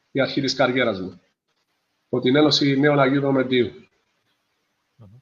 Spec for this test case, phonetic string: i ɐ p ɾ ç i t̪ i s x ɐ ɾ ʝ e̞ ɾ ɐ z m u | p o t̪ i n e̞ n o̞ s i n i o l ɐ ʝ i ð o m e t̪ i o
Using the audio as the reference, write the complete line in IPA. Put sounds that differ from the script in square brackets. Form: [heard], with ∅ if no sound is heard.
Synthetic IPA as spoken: i ɐ [∅] ɾ ç i t̪ i s [k] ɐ ɾ ʝ e̞ ɾ ɐ z m u | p o t̪ i n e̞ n o̞ s i n [e] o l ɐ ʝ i ð o m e [d̪] i [u]